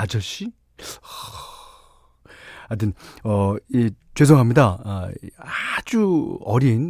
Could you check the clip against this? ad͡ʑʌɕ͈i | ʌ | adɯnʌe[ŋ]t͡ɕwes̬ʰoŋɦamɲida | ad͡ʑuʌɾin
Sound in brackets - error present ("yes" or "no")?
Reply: yes